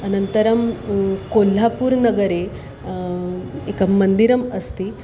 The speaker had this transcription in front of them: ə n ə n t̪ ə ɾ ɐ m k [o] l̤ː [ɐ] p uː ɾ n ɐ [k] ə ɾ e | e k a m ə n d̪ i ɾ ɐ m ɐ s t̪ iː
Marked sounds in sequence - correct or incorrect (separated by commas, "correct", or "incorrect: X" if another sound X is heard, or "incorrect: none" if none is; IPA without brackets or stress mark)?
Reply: correct, incorrect: a, incorrect: ɡ